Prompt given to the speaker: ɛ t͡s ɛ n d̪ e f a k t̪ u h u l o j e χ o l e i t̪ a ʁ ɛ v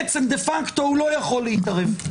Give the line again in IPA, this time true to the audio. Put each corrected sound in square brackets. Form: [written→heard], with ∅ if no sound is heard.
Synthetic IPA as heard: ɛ t͡s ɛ [n→m] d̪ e f a k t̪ [u→o] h u l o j [e→a] χ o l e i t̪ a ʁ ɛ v